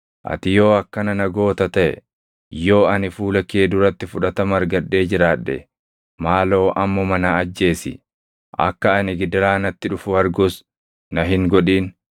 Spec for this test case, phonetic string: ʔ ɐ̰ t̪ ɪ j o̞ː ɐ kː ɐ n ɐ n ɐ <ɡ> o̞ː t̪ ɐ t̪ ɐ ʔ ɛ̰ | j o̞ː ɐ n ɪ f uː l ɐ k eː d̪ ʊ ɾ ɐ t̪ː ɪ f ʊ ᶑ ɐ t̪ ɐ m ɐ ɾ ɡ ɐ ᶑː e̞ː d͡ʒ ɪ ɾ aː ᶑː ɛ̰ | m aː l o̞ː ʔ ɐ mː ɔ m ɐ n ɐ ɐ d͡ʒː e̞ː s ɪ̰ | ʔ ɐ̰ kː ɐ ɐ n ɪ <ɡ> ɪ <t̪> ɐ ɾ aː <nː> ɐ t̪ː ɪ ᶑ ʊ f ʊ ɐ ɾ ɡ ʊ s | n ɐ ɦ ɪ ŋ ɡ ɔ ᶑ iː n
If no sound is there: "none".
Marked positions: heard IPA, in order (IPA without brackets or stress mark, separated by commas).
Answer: ɡ, ɡ, d̪, n